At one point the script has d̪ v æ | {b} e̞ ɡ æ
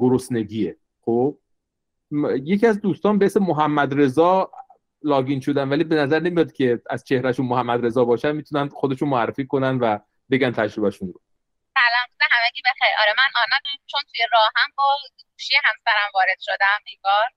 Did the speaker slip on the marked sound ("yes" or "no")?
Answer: no